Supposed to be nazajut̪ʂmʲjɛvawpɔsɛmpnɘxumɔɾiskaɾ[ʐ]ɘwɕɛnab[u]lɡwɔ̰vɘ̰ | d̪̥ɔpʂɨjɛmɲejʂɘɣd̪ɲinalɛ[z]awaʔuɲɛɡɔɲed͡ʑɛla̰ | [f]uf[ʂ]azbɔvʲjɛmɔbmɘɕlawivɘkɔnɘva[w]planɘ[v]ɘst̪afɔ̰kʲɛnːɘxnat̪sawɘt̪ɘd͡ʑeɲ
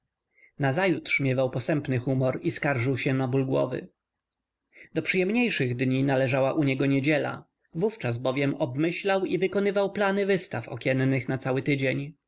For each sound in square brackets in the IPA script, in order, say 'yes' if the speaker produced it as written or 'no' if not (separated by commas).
yes, yes, no, no, no, yes, yes